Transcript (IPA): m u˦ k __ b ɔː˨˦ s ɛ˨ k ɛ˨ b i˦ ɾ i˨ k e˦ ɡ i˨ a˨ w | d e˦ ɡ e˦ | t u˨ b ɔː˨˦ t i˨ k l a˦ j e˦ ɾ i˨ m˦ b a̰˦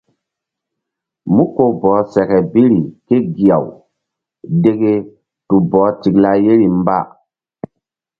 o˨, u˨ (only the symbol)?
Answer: o˨